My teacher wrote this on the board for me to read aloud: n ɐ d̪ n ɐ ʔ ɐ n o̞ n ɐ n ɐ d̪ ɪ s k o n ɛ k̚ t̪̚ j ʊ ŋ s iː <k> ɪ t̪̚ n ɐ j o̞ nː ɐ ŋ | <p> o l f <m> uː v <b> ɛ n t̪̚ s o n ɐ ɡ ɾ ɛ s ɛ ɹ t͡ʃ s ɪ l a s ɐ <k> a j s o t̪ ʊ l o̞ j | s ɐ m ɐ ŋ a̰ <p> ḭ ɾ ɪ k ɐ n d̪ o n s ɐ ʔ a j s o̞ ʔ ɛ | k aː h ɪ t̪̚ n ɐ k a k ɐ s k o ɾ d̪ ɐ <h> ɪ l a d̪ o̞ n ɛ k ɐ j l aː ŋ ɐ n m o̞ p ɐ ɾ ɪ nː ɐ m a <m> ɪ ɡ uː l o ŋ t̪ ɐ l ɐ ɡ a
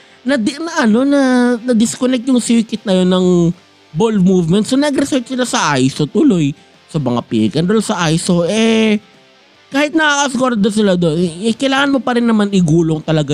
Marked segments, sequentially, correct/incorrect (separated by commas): correct, incorrect, correct, incorrect, incorrect, correct, incorrect, incorrect